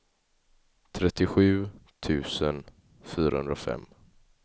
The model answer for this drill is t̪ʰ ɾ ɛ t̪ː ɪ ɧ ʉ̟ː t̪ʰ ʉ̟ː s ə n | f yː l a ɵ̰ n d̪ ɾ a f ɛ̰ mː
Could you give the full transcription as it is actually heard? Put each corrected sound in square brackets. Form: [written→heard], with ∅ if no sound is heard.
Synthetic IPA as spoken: t̪ʰ ɾ ɛ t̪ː ɪ ɧ ʉ̟ː t̪ʰ ʉ̟ː s ə n | f yː [l→ɾ] a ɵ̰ n d̪ ɾ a f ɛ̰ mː